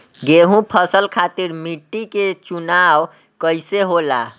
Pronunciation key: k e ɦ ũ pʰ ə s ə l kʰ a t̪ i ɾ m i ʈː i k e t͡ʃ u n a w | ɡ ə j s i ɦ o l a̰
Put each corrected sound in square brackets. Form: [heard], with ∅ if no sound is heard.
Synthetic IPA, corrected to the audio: [ɡ] e ɦ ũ pʰ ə s ə l kʰ a t̪ i ɾ m i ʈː i k e t͡ʃ u n a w | [k] ə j s [e] ɦ o l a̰

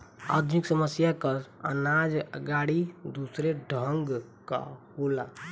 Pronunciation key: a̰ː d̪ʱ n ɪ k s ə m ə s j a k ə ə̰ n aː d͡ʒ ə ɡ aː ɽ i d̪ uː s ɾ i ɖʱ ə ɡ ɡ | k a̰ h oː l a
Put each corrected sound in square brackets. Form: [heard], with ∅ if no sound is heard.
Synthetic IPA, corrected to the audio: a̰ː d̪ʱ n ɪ k s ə m ə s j a k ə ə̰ n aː d͡ʒ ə ɡ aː ɽ i d̪ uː s ɾ [e] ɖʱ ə [ŋ] ɡ | k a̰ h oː l a

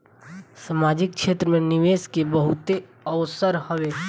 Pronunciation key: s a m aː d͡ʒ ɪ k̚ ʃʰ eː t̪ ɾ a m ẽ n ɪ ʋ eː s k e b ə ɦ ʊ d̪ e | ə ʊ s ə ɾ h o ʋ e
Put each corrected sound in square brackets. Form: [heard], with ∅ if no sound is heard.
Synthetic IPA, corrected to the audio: s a m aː d͡ʒ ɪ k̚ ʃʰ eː t̪ ɾ [ə] m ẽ n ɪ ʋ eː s k e b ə ɦ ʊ [t̪] e | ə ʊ s ə ɾ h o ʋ e

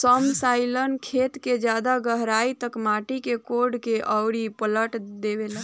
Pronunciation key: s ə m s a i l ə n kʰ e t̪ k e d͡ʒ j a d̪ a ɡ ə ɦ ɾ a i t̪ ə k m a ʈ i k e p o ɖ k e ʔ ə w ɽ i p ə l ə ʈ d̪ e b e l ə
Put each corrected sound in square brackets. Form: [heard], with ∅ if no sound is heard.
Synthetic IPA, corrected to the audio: s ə m s a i l ə n kʰ e t̪ k e d͡ʒ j a d̪ a ɡ ə ɦ ɾ a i t̪ ə k m a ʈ i k e [k] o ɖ k e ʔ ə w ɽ i p ə l ə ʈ d̪ e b e l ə

